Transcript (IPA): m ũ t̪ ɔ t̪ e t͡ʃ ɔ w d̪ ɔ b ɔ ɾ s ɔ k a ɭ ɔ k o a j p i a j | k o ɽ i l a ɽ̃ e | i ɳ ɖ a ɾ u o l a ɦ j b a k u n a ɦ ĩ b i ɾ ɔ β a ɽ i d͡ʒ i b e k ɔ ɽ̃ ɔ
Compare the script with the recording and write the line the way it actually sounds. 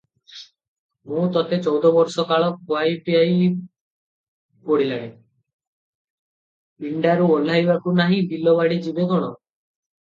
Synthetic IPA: m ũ t̪ ɔ t̪ e t͡ʃ ɔ w d̪ ɔ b ɔ ɾ s ɔ k a ɭ ɔ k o a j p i a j | p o ɽ i l a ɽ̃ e | i ɳ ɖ a ɾ u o l a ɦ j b a k u n a ɦ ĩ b i l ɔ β a ɽ i d͡ʒ i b e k ɔ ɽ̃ ɔ